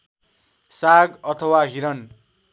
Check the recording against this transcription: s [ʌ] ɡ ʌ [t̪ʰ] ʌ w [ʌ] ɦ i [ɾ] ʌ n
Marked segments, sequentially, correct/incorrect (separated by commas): incorrect, correct, incorrect, correct